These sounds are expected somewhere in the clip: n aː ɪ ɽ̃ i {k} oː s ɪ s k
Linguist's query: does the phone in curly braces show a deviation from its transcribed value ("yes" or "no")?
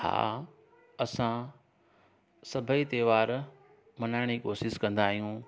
no